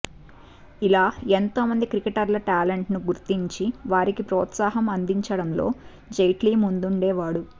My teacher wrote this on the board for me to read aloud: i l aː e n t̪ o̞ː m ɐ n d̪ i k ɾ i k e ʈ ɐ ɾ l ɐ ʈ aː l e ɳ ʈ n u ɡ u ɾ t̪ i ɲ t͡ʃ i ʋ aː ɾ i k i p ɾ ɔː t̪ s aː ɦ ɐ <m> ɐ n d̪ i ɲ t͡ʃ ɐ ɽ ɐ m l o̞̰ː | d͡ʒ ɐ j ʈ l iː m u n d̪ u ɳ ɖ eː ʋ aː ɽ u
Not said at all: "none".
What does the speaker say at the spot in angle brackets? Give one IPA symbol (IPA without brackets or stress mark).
m